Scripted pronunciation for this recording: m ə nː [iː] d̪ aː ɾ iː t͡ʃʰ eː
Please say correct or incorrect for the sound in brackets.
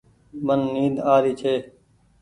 correct